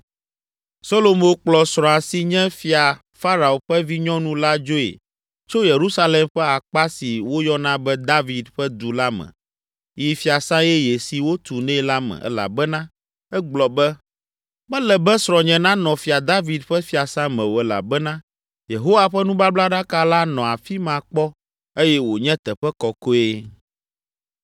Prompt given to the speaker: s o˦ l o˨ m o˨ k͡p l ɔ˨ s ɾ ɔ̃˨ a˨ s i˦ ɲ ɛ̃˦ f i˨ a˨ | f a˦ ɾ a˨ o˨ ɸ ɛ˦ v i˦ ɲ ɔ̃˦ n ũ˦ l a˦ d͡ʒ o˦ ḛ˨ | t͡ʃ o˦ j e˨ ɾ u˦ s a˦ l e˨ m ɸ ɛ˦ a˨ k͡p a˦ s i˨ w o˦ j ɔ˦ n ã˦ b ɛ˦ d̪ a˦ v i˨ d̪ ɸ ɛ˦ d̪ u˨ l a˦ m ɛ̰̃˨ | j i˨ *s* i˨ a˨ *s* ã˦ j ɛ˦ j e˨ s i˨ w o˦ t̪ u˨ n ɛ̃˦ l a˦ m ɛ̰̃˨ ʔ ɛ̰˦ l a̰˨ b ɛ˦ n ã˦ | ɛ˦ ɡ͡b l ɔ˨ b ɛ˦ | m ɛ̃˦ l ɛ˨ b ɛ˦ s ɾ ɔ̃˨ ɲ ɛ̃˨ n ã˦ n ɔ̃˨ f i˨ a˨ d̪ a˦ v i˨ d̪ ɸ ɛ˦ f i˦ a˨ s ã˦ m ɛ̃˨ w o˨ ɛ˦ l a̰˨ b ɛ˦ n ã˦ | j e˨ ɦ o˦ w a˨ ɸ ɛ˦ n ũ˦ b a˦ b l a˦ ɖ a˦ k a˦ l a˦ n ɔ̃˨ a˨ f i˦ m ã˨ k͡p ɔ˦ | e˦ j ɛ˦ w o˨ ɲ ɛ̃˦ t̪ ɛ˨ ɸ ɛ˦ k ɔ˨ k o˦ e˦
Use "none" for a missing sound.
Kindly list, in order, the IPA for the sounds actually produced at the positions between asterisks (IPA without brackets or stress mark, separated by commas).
f, s